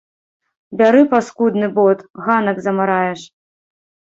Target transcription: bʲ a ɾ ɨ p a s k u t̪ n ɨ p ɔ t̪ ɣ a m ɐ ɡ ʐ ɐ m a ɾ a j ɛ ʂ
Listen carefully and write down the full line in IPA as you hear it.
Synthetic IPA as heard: bʲ a ɾ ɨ p a s k u d̪ n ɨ b ɔ t̪ ɣ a n ɐ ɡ z ɐ m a ɾ a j ɛ ʂ